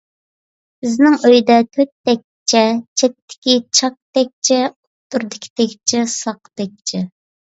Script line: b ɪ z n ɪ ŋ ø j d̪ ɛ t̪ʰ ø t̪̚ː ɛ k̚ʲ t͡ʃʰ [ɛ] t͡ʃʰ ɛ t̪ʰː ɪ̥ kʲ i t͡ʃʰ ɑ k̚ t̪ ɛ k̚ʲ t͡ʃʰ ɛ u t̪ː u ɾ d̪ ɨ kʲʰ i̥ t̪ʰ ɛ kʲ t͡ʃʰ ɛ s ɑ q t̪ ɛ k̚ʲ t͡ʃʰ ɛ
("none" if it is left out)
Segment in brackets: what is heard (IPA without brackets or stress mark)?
ɛ